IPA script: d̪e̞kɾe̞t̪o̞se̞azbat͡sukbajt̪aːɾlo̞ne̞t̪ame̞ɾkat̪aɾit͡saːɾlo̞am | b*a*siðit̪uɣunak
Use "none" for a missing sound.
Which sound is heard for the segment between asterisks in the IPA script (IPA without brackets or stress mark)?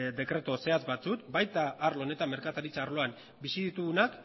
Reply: i